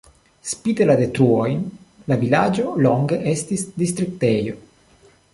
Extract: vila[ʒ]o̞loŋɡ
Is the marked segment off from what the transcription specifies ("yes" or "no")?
yes